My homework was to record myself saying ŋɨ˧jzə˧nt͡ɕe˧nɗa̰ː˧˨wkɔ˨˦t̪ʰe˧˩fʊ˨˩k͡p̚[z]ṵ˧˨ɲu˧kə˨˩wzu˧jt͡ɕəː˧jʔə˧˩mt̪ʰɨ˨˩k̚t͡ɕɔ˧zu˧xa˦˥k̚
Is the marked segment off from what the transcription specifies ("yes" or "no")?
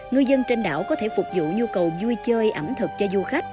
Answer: no